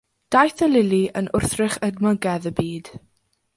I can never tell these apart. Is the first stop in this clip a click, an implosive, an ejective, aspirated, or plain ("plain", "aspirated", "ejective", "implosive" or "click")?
plain